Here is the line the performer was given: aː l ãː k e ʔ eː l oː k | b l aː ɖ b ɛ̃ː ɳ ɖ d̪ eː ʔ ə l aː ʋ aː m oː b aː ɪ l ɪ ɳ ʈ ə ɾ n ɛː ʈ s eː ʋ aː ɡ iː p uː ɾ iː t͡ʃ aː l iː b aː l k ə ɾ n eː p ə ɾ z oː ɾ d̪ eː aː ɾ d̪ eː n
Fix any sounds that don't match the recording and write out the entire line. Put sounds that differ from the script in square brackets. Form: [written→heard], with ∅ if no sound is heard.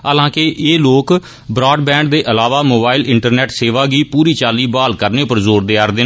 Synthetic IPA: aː l ãː k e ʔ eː l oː k | b [l→ɾ] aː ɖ b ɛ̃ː ɳ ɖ d̪ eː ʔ ə l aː ʋ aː m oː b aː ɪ l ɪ ɳ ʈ ə ɾ n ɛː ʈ s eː ʋ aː ɡ iː p uː ɾ iː t͡ʃ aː l iː b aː l k ə ɾ n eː p ə ɾ z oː ɾ d̪ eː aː ɾ d̪ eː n